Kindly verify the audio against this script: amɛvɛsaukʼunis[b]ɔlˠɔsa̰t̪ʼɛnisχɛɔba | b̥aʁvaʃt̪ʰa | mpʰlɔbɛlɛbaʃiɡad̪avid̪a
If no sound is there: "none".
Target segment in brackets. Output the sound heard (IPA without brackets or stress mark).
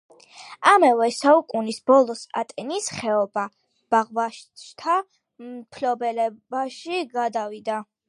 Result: b